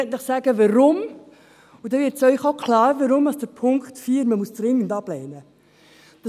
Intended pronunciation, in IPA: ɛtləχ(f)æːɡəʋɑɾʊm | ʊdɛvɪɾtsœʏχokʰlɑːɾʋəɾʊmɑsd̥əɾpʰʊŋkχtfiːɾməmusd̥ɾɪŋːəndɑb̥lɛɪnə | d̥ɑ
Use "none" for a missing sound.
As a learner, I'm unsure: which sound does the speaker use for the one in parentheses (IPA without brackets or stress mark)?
s